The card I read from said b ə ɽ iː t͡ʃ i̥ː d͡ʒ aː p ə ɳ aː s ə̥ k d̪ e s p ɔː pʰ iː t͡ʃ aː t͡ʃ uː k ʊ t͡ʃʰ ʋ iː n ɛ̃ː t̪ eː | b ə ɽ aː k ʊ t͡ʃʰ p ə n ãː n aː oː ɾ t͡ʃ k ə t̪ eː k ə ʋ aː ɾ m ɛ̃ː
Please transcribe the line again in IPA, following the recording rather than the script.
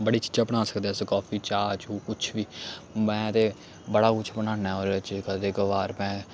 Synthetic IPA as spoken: b ə ɽ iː t͡ʃ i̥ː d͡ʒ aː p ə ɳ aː s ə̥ k d̪ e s k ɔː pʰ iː t͡ʃ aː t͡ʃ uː k ʊ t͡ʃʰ ʋ iː m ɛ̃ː t̪ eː | b ə ɽ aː k ʊ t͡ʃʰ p ə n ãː n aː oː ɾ t͡ʃ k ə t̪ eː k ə ʋ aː ɾ m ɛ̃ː